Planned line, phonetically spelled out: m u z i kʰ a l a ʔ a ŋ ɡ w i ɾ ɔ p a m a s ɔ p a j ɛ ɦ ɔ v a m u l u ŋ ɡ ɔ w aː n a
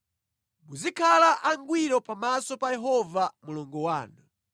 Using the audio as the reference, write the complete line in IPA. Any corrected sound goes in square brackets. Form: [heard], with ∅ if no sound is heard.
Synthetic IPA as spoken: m u z i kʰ a l a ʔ a ŋ ɡ w i ɾ ɔ p a m a s ɔ p a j ɛ ɦ ɔ v a m u l [ɔ] ŋ ɡ ɔ w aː n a